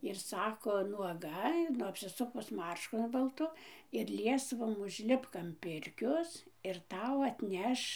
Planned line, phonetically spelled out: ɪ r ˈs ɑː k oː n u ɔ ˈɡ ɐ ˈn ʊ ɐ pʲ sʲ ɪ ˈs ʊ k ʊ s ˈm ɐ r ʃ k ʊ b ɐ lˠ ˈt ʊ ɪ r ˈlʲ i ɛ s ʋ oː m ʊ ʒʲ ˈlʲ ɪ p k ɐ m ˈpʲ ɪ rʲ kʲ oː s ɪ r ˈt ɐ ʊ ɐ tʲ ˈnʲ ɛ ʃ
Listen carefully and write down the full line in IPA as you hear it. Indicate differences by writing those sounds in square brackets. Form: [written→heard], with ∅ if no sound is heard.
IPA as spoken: ɪ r ˈs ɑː k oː n u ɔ ˈɡ ɐ ˈn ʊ ɐ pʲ sʲ ɪ ˈs ʊ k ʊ s ˈm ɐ r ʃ k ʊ b ɐ lˠ ˈt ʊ ɪ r ˈlʲ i ɛ s ʋ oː m ʊ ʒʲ ˈlʲ ɪ p k ɐ m ˈpʲ ɪ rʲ kʲ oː s ɪ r ˈt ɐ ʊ ɐ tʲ ˈnʲ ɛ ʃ